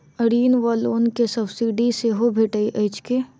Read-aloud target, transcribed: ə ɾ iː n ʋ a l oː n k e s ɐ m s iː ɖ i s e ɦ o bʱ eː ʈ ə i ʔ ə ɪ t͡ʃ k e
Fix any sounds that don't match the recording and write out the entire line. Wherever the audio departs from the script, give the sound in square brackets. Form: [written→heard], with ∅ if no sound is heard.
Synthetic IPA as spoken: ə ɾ iː n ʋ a l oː n k e s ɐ [m→b] s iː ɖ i s e ɦ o bʱ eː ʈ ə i ʔ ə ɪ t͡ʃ k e